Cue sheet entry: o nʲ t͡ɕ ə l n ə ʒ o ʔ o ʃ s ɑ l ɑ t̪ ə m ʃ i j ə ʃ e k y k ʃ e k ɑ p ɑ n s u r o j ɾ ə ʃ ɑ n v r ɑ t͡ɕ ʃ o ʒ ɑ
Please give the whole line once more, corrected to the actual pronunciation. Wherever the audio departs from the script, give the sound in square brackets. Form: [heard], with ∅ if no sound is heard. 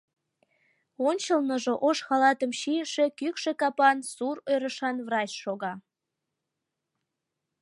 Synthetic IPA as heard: o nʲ t͡ɕ ə l n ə ʒ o ʔ o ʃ [x] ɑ l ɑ t̪ ə m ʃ i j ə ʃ e k y k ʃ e k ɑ p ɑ n s u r o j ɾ ə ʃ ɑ n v r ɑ t͡ɕ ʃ o [ɣ] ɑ